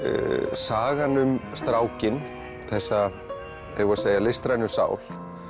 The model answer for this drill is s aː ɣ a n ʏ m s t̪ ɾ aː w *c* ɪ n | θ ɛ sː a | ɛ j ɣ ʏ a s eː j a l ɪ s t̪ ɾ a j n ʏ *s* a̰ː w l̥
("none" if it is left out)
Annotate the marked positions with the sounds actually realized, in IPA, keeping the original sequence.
c, s

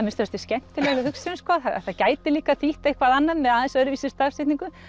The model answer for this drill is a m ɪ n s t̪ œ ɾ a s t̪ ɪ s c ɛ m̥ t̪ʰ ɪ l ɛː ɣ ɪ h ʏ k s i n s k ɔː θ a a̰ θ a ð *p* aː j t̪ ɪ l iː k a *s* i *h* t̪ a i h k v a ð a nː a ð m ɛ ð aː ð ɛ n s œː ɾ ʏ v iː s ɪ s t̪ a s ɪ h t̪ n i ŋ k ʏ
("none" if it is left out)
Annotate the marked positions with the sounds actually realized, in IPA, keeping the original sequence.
c, θ, h

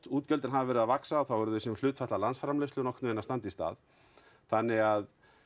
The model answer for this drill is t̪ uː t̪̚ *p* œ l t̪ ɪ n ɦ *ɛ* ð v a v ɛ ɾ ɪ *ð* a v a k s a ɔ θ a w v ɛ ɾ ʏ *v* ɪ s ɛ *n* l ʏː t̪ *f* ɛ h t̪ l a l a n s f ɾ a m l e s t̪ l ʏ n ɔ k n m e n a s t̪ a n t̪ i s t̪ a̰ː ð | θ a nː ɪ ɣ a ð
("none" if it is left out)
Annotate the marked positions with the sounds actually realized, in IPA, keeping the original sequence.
c, a, ð, ð, m, f

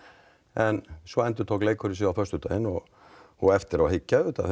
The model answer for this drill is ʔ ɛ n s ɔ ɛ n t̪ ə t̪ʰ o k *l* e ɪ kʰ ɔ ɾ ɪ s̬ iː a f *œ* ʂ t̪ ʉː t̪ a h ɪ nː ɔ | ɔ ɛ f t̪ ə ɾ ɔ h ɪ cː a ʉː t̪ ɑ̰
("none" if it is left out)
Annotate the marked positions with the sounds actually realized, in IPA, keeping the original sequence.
l, œ

